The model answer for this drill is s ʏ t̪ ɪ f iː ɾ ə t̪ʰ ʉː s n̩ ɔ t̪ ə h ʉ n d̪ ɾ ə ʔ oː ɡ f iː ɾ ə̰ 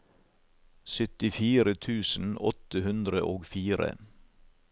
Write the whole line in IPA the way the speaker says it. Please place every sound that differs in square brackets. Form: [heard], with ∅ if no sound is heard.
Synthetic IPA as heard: s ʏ t̪ ɪ f iː ɾ ə t̪ʰ ʉː s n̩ ɔ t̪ ə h ʉ n d̪ ɾ ə ʔ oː ɡ f iː ɾ ə̰